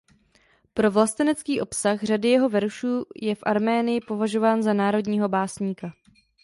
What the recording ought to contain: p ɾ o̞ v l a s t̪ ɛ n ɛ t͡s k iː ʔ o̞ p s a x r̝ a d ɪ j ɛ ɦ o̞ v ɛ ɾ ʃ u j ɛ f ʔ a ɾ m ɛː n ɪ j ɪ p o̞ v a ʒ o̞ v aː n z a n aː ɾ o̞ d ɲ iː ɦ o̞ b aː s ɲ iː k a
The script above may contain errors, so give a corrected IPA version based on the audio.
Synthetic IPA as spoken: p ɾ o̞ v l a s t̪ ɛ n ɛ t͡s k iː ʔ o̞ p s a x r̝ a d ɪ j ɛ ɦ o̞ v ɛ ɾ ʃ uː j ɛ f ʔ a ɾ m ɛː n ɪ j ɪ p o̞ v a ʒ o̞ v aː n z a n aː ɾ o̞ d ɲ iː ɦ o̞ b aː s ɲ iː k a